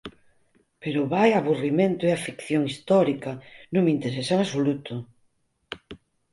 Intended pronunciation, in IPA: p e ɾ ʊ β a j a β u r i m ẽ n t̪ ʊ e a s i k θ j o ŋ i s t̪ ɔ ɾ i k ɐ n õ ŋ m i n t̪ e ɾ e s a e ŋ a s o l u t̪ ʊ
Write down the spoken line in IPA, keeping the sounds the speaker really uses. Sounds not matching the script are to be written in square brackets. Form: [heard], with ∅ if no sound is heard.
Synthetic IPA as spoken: p e ɾ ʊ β a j a β u r i m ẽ n t̪ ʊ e a [f] i k θ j o ŋ i s t̪ ɔ ɾ i k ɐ n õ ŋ m i n t̪ e ɾ e s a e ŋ a s o l u t̪ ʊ